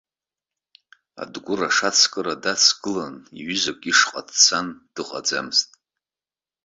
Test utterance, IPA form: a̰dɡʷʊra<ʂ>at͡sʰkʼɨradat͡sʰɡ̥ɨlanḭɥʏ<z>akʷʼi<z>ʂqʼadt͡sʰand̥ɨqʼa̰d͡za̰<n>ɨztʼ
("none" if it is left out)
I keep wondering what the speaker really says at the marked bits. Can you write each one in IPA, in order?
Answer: ʂ, z, none, m

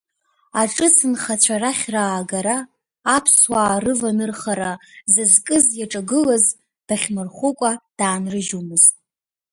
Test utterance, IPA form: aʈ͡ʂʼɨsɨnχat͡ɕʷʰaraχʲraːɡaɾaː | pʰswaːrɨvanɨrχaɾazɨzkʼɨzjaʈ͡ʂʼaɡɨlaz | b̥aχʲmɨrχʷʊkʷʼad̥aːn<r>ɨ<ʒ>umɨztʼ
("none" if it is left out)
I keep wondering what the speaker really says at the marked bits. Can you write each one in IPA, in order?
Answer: r, ʒ

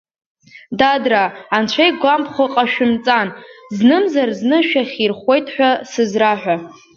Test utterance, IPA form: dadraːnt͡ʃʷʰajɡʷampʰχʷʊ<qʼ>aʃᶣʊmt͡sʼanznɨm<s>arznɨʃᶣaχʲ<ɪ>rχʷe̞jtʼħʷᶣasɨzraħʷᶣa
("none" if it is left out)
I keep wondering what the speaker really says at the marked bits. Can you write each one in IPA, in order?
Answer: qʼ, z, i

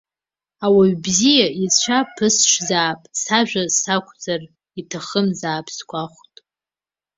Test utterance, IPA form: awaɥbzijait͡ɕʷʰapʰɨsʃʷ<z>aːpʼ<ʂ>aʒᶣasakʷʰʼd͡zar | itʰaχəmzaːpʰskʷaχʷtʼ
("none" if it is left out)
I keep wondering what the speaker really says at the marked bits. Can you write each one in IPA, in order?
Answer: z, s

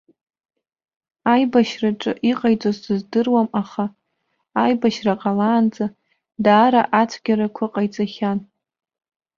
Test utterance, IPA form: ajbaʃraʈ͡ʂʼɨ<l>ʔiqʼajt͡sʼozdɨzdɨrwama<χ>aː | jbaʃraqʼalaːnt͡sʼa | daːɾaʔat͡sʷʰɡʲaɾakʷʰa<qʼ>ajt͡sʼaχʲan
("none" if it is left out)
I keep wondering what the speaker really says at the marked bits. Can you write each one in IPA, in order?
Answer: none, χ, qʼ

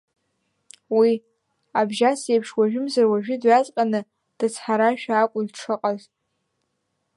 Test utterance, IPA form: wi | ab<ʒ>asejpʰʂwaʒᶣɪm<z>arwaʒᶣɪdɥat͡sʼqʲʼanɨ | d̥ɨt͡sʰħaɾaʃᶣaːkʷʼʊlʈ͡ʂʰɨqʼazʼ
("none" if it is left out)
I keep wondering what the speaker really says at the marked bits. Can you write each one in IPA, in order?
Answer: ʒ, z

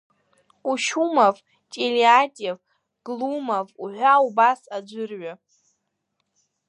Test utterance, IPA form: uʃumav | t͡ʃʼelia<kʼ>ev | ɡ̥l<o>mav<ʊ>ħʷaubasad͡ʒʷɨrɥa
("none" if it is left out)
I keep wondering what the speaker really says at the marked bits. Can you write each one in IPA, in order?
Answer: tʼ, u, u

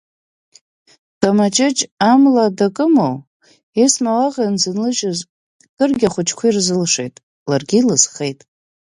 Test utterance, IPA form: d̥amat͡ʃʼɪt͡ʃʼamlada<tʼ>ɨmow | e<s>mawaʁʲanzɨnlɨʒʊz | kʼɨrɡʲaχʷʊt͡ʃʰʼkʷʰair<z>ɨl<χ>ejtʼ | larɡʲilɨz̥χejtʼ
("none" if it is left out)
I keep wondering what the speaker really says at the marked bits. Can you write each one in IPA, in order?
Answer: kʼ, s, z, ʂ

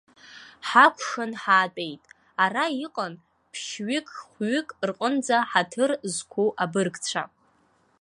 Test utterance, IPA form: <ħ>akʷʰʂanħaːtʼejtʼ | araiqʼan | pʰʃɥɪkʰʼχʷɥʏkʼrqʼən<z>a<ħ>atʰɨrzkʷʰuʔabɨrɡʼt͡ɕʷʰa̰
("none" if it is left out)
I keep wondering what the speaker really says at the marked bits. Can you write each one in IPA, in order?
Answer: ħ, d͡z, ħ

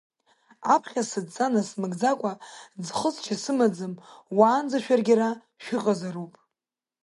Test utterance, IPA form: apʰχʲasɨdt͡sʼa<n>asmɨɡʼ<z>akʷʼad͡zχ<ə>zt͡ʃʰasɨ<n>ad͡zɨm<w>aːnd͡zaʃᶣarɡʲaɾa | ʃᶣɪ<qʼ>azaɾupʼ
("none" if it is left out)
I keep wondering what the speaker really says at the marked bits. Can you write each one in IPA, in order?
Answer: n, d͡z, ə, m, w, qʼ

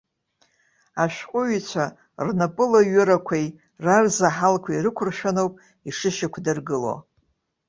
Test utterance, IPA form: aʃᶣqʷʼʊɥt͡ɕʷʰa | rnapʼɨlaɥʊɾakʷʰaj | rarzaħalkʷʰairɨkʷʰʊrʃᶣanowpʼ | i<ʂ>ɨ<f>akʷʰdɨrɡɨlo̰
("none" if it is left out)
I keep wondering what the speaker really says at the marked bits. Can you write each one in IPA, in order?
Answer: ʂ, ʃ

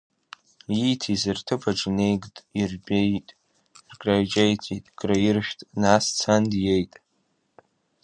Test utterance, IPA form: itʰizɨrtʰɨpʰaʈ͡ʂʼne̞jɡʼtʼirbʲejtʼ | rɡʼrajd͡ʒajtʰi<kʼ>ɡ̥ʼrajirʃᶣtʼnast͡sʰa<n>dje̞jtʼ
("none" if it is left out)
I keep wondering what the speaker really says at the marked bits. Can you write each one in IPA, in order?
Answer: tʼ, n

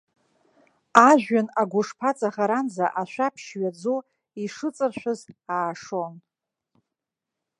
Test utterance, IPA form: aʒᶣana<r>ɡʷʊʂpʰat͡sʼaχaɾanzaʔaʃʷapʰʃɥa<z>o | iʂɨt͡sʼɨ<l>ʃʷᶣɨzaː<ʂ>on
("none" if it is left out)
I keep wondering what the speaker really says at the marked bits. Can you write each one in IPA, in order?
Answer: none, d͡z, r, ʂ

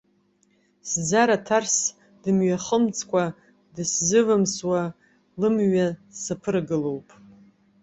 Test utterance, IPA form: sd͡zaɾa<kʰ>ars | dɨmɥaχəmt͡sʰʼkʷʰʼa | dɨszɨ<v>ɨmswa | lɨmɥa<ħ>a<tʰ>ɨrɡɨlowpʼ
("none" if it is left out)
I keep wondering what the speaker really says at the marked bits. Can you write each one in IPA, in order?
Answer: tʰ, v, s, pʰ

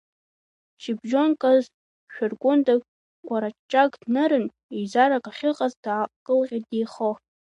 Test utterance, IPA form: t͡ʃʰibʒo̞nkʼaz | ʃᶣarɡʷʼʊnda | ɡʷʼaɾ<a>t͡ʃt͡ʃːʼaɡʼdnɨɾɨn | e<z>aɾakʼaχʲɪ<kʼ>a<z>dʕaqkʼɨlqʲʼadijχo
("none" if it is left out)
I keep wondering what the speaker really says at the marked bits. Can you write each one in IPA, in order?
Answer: a, z, qʼ, z

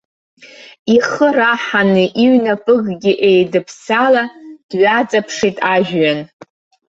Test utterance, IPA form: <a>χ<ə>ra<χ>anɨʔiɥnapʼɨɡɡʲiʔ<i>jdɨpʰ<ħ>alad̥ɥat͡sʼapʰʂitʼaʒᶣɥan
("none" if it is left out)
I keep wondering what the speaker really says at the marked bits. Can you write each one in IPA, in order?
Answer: i, ə, ħ, e, s

